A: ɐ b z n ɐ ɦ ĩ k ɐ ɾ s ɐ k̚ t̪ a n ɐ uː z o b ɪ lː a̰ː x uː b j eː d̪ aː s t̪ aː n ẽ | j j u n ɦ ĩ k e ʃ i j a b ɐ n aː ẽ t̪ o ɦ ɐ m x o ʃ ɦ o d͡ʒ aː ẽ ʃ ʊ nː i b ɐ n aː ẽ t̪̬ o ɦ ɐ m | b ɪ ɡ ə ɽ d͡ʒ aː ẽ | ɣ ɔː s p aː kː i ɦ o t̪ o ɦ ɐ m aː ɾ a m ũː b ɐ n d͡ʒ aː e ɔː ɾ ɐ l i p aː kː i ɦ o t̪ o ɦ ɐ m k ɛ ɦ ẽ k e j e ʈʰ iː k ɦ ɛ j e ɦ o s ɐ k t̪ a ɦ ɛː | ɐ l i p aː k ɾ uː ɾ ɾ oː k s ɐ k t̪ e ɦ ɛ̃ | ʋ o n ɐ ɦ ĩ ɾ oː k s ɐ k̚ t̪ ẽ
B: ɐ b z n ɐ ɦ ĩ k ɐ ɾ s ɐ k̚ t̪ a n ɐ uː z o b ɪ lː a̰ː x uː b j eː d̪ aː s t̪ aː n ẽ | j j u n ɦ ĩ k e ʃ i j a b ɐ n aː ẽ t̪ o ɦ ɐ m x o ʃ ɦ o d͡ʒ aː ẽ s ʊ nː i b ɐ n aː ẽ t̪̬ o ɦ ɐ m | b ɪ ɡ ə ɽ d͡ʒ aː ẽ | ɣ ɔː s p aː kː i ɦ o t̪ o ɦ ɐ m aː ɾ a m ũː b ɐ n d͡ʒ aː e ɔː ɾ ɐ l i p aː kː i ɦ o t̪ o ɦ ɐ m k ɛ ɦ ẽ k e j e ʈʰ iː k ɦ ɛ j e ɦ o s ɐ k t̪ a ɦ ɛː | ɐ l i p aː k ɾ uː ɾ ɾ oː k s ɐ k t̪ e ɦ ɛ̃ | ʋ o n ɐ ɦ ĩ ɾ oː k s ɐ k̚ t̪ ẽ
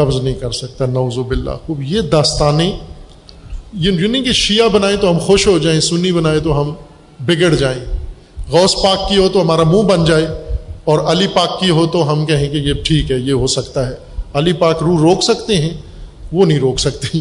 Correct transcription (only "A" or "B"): B